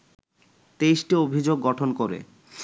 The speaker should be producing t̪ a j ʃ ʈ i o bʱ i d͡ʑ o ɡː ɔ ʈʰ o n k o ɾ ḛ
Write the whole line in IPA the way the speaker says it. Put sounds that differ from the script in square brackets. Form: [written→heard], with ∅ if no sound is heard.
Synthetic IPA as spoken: t̪ [a→e] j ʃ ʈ i o bʱ i d͡ʑ o ɡː ɔ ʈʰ o n k o ɾ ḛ